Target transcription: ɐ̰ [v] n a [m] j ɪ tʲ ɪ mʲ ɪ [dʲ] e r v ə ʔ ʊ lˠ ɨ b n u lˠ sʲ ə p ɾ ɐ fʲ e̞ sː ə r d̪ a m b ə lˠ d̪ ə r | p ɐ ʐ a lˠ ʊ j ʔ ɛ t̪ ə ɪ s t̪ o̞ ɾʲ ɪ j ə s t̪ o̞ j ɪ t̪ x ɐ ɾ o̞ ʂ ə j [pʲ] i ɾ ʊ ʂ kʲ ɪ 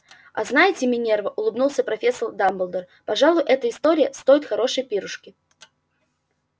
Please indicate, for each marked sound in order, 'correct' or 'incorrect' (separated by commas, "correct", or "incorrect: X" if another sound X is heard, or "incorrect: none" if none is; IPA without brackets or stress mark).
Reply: incorrect: z, incorrect: none, incorrect: nʲ, correct